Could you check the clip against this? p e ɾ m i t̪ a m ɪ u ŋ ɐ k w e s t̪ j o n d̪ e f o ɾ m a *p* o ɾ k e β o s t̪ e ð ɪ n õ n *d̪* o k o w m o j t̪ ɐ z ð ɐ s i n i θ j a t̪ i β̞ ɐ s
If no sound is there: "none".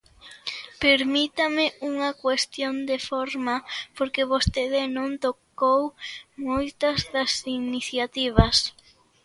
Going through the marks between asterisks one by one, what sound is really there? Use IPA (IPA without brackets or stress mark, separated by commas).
p, t̪